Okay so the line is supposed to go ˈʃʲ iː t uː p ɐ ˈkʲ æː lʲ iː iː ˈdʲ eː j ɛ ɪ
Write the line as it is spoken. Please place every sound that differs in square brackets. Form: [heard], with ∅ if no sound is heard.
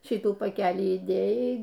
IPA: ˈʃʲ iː t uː p ɐ ˈkʲ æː lʲ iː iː ˈdʲ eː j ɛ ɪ